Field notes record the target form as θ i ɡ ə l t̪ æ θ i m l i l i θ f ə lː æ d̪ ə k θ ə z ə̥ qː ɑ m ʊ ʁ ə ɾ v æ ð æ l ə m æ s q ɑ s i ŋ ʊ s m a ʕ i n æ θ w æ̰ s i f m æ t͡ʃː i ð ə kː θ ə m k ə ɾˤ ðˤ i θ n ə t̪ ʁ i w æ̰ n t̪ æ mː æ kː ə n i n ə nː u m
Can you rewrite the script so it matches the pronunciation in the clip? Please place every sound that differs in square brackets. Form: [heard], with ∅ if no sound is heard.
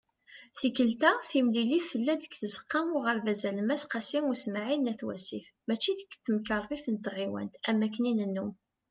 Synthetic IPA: θ i [k] ə l t̪ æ θ i m l i l i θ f ə lː æ d̪ ə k θ ə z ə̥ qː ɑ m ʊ ʁ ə ɾ v æ [z] æ l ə m æ s q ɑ s i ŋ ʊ s m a ʕ i n æ θ w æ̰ s i f m æ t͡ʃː i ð ə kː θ ə m k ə ɾˤ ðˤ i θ n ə t̪ ʁ i w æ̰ n t̪ æ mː æ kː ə n i n ə nː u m